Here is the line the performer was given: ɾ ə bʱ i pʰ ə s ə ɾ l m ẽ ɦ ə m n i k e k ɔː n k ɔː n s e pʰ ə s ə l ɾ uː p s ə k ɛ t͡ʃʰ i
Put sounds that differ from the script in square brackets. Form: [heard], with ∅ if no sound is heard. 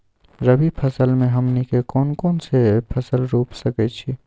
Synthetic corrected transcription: ɾ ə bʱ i pʰ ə s ə [∅] l m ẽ ɦ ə m n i k e k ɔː n k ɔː n s e pʰ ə s ə l ɾ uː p s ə k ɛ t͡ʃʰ i